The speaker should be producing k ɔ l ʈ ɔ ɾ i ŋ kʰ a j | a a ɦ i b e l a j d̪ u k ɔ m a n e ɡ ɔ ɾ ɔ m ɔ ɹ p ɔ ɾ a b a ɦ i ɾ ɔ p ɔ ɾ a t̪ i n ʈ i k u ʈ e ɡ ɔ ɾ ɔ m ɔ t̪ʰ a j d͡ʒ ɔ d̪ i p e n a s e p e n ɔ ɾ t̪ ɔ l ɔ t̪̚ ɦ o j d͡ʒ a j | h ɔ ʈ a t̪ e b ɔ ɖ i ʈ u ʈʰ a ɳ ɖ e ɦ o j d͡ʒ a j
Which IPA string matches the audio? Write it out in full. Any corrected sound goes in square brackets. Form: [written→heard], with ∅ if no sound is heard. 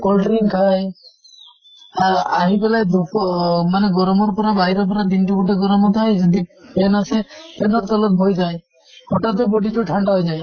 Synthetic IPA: k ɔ l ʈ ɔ ɾ i ŋ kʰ a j | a a ɦ i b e l a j d̪ u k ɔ m a n e ɡ ɔ ɾ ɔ m ɔ [ɹ→ɾ] p ɔ ɾ a b a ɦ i ɾ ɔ p ɔ ɾ a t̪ i n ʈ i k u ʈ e ɡ ɔ ɾ ɔ m ɔ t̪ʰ a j d͡ʒ ɔ d̪ i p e n a s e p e n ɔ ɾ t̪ ɔ l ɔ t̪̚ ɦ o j d͡ʒ a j | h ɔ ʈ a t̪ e b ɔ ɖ i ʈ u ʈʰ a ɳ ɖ [e→a] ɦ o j d͡ʒ a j